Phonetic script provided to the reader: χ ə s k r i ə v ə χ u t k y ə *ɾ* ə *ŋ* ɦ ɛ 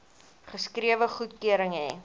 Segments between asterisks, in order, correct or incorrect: correct, correct

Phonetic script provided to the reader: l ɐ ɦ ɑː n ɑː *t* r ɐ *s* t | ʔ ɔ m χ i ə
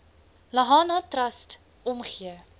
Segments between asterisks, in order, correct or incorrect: correct, correct

